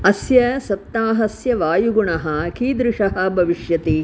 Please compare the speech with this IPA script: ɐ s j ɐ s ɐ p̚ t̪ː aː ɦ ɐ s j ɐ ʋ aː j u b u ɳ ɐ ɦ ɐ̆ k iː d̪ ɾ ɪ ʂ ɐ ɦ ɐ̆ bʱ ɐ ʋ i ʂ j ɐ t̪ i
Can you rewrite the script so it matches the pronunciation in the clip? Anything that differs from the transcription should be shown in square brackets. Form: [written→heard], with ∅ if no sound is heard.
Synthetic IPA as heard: ɐ s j ɐ s ɐ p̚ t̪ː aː ɦ ɐ s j ɐ ʋ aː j u [b→ɡ] u ɳ ɐ ɦ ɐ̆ k iː d̪ ɾ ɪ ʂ ɐ ɦ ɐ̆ bʱ ɐ ʋ i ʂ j ɐ t̪ i